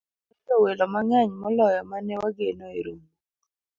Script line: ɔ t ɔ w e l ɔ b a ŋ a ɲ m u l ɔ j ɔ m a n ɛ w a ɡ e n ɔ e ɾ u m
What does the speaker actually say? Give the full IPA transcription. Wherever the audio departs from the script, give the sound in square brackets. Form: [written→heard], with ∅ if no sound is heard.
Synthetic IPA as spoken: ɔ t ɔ w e l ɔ [b→m] a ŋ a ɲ m [u→ɔ] l ɔ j ɔ m a n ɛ w a ɡ e n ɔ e ɾ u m